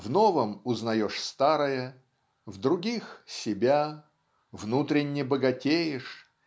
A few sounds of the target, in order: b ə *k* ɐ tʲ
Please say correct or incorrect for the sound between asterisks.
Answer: incorrect